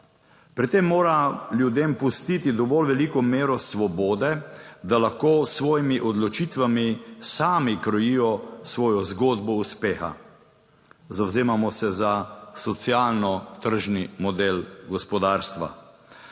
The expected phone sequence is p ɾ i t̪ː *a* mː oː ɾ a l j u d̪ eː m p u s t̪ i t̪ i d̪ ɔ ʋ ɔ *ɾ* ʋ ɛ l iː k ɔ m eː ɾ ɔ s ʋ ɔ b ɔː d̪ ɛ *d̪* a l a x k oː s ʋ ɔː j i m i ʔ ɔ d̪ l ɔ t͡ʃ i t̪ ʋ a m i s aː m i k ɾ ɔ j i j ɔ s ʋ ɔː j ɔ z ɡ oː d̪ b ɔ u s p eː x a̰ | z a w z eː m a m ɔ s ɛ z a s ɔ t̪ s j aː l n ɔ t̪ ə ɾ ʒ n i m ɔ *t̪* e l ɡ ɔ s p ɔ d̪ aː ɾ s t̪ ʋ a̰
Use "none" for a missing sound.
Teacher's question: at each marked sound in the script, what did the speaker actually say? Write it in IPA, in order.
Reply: e, l, d̪, d̪

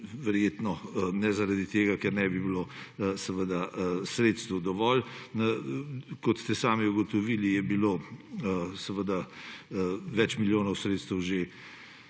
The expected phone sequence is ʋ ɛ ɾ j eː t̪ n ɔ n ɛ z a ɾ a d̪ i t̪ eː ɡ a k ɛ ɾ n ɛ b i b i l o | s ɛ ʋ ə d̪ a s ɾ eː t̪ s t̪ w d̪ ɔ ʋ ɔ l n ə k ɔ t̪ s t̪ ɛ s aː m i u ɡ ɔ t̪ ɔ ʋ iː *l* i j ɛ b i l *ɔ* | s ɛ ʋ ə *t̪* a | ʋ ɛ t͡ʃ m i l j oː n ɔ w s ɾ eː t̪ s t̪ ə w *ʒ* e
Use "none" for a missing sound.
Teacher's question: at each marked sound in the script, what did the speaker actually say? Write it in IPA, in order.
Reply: l, o, d̪, ʒ

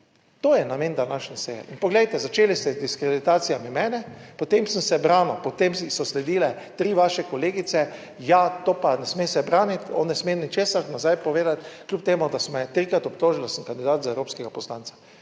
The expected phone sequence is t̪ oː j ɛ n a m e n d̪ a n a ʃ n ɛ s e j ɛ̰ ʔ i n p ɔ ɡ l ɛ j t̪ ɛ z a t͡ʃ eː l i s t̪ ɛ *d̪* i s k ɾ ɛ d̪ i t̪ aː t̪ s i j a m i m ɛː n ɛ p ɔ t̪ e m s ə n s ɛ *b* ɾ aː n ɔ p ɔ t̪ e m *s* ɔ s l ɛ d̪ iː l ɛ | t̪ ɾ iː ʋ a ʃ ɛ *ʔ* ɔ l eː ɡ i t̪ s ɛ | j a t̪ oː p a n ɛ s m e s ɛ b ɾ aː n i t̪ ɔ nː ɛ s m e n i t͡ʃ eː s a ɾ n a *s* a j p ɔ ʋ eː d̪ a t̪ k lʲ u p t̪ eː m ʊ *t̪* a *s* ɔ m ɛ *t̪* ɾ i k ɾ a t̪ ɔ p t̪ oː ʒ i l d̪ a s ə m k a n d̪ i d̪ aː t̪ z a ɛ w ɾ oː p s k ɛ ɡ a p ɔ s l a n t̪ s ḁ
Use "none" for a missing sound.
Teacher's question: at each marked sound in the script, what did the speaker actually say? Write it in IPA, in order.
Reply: d̪, b, s, k, z, d̪, s, t̪

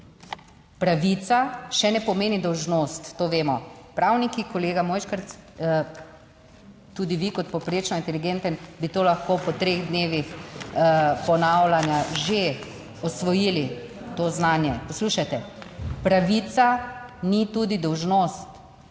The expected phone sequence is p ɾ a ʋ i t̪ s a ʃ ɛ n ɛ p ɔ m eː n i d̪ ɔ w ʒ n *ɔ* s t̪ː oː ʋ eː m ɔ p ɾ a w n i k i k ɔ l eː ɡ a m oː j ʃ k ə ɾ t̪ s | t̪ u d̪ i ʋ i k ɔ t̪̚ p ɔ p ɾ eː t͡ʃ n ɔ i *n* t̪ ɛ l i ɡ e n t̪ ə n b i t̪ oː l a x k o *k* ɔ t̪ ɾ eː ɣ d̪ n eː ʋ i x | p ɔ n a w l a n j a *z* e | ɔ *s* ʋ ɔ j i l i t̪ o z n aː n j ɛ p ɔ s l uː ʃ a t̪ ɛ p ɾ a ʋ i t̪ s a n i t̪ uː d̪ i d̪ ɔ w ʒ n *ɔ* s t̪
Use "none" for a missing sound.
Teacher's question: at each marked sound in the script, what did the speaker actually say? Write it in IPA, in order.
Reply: o, n, p, ʒ, s, o

